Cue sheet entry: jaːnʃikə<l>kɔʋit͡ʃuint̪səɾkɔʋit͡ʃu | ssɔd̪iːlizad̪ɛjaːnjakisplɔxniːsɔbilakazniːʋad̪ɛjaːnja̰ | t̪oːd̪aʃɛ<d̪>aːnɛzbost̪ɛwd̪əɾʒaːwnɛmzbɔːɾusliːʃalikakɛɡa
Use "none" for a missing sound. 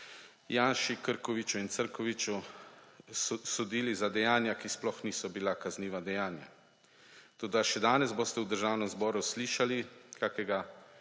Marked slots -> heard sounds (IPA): ɾ, d̪

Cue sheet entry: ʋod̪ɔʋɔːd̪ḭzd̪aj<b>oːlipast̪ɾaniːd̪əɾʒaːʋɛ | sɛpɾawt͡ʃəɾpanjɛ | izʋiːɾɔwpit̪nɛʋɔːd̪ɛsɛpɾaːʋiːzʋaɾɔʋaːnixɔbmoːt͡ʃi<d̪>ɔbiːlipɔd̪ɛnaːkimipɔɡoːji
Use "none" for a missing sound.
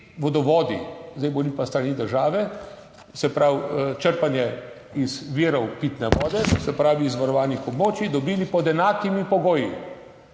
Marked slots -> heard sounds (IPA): b, d̪

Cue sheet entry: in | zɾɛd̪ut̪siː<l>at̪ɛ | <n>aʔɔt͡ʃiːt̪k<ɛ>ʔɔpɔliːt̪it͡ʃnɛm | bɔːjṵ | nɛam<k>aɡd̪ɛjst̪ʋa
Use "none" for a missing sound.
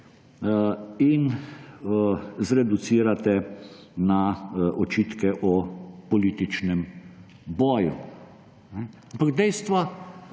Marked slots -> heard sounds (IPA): ɾ, n, ɛ, p

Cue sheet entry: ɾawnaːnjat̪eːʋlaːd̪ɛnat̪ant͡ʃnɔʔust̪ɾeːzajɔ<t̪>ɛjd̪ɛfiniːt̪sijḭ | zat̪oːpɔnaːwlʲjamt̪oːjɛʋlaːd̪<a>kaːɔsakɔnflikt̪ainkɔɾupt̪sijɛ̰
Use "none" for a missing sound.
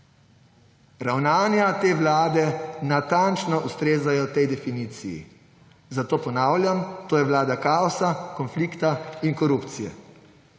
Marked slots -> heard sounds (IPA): t̪, a

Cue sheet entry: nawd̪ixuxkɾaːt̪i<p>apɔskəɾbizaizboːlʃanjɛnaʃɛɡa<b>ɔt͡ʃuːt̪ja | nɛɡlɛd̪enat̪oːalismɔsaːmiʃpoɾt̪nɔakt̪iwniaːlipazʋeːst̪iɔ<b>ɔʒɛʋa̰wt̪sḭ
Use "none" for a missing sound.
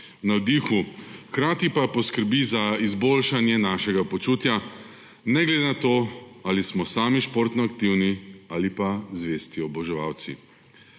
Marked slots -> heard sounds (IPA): p, p, b

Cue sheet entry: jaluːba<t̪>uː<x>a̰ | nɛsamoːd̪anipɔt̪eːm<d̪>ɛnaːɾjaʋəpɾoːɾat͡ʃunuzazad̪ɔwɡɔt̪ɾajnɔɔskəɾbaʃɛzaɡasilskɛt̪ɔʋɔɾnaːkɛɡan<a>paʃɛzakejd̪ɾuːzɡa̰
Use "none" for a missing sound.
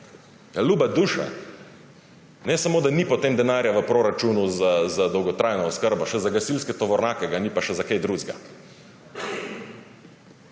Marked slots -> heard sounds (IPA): d̪, ʃ, d̪, i

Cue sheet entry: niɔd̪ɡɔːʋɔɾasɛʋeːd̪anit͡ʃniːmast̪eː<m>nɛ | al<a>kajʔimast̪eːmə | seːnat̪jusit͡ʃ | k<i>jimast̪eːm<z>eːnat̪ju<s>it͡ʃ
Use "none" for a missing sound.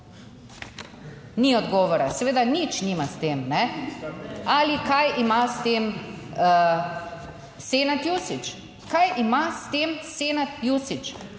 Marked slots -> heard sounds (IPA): m, i, a, s, s

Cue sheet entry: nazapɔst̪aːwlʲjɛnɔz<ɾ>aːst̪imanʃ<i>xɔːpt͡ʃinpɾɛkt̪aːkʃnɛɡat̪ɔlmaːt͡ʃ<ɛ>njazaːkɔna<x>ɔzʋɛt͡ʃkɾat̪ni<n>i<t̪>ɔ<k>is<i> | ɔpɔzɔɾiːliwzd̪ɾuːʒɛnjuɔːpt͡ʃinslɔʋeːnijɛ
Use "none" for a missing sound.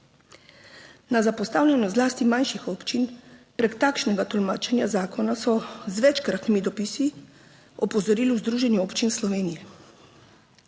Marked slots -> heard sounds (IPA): l, i, ɛ, s, m, d̪, p, i

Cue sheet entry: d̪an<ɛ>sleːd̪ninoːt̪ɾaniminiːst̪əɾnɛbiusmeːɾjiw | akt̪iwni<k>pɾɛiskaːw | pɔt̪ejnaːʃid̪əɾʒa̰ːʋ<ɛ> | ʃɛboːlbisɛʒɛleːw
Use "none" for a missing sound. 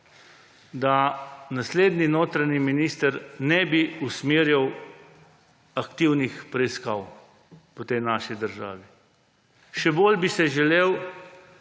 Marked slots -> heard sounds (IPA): a, x, i

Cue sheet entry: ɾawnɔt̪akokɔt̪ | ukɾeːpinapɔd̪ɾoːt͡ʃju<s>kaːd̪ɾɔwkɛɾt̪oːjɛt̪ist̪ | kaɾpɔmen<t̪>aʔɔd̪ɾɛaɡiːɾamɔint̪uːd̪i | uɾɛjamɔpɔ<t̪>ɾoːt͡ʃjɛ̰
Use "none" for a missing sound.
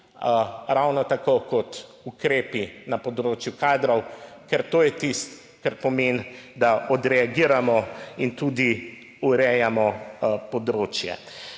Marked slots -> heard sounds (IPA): none, d̪, d̪

